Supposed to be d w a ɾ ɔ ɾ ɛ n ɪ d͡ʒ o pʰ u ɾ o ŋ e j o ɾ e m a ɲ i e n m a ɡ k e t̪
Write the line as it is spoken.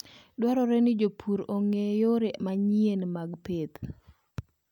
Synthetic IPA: d w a ɾ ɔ ɾ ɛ n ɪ d͡ʒ o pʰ u ɾ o ŋ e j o ɾ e m a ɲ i e n m a ɡ p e t̪